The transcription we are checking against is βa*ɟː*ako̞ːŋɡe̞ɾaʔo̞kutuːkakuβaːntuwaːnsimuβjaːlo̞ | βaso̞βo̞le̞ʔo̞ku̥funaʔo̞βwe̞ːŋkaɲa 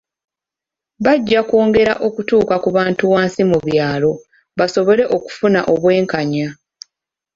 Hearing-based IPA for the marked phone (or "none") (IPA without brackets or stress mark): ɟː